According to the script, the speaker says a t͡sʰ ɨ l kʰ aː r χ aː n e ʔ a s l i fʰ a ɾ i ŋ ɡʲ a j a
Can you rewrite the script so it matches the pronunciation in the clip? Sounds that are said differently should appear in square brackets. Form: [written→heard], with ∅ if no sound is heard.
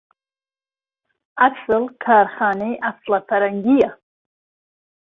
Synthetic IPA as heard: a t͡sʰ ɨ l kʰ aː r χ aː n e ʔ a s l [i→a] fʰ a ɾ [i→a] ŋ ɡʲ [a→i] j a